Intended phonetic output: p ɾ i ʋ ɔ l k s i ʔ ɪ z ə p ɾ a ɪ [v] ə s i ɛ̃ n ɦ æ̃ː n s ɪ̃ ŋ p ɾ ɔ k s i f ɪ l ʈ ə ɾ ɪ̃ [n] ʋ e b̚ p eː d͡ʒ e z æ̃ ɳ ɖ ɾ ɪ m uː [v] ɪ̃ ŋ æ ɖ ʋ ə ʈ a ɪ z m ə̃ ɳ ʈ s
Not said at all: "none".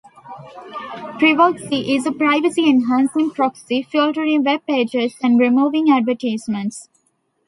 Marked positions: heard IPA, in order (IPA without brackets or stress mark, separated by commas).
ʋ, ŋ, ʋ